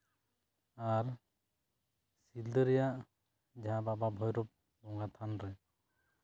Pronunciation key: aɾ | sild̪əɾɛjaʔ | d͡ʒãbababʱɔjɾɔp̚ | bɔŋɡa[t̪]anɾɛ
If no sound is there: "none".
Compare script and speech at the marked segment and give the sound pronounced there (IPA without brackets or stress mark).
t̪ʰ